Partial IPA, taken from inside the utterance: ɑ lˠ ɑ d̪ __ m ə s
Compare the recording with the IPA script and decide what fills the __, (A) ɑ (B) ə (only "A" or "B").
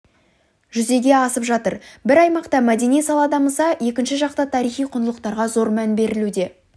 A